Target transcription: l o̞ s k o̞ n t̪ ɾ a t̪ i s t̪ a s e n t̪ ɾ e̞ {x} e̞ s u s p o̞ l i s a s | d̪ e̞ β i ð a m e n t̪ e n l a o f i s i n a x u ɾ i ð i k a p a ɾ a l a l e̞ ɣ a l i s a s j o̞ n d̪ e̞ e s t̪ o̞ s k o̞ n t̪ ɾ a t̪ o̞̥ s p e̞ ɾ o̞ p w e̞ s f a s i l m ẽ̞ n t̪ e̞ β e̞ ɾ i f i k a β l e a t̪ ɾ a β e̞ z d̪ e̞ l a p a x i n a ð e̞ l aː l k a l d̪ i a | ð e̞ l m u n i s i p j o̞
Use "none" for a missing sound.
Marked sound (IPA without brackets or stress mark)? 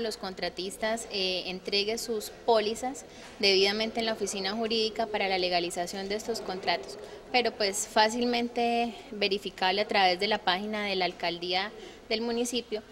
ɣ